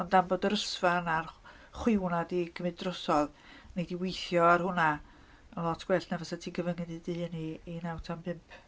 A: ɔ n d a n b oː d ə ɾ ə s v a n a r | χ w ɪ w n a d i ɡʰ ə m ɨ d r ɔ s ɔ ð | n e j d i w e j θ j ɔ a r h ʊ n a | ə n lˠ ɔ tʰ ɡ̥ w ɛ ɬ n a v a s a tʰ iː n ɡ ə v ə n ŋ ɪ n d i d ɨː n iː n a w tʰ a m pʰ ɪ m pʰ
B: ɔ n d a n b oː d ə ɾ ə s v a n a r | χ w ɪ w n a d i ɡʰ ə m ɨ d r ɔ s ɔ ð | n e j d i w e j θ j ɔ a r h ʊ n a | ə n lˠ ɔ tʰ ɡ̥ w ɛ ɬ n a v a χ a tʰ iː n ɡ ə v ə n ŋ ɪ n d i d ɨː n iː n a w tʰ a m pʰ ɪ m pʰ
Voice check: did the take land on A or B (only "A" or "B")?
A